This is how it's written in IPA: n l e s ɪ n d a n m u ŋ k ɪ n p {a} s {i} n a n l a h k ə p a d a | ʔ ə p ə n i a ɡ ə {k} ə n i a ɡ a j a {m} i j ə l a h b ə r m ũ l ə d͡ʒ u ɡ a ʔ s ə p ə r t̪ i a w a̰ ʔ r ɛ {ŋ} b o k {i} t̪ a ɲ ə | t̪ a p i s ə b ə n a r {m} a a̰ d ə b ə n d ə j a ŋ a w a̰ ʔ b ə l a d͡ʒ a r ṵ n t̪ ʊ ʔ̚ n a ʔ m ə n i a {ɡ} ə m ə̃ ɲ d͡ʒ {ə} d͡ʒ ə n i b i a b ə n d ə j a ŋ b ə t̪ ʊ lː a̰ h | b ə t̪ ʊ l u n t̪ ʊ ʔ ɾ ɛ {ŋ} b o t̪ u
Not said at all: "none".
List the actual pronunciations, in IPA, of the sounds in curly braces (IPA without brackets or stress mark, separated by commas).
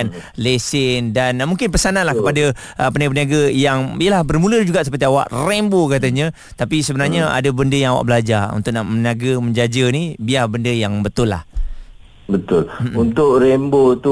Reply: ə, a, p, ŋ, m, a, ɲ, ɡ, a, m